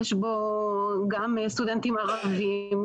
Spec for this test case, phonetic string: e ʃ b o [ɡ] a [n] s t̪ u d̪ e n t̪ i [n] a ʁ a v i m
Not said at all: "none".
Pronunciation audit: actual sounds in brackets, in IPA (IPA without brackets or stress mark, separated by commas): ɡ, m, m